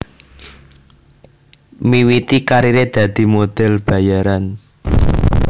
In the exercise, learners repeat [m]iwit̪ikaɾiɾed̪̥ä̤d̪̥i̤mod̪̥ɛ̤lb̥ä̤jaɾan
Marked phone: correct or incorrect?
correct